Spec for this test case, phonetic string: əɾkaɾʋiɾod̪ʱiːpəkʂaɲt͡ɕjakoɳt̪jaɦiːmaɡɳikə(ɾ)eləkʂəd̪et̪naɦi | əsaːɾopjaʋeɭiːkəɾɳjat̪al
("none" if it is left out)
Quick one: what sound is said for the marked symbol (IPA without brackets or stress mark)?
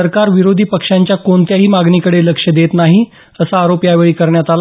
ɽ